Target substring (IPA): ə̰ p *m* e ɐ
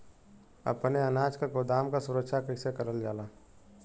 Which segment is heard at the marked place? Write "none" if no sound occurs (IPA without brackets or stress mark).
n